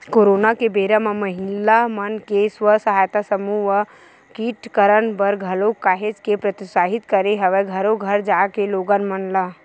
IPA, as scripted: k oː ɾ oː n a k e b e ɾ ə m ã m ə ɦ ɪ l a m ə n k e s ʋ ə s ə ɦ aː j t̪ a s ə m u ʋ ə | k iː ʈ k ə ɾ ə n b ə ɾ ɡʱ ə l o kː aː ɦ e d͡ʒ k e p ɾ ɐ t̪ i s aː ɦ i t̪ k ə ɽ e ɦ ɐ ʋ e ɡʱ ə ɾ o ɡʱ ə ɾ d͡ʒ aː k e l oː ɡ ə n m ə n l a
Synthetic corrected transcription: k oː ɾ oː n a k e b e ɾ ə m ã m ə ɦ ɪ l a m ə n k e s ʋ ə s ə ɦ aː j t̪ a s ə m u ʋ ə | k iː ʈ k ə ɾ ə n b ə ɾ ɡʱ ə l o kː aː ɦ e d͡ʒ k e p ɾ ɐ t̪ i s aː ɦ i t̪ k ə ɾ e ɦ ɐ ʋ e ɡʱ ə ɾ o ɡʱ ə ɾ d͡ʒ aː k e l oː ɡ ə n m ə n l a